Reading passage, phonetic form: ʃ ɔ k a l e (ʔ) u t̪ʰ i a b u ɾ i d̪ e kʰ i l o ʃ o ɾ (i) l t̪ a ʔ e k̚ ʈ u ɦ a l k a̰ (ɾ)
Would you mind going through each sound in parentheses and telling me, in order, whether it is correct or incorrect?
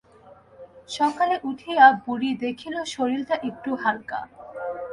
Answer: correct, correct, incorrect: none

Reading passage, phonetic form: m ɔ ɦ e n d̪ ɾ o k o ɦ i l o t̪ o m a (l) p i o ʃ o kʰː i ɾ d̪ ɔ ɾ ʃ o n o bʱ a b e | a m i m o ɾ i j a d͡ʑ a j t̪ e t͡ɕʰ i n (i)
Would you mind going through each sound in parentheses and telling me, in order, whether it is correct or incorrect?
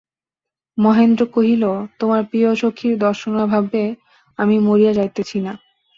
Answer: incorrect: ɾ, incorrect: a

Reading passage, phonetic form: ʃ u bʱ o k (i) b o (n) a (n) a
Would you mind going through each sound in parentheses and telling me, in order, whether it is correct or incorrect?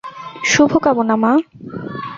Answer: incorrect: a, correct, incorrect: m

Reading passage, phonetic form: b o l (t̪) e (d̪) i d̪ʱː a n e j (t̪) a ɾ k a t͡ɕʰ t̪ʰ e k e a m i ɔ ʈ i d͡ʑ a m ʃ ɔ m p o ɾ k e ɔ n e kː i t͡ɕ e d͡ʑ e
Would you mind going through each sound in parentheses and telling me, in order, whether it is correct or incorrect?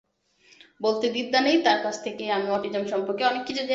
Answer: correct, correct, correct

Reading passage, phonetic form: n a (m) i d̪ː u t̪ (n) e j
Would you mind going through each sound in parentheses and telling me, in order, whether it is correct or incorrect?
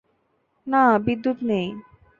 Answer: incorrect: b, correct

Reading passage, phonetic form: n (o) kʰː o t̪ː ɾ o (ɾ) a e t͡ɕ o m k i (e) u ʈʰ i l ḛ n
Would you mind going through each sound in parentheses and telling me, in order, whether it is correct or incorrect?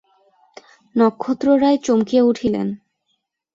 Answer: incorrect: ɔ, correct, correct

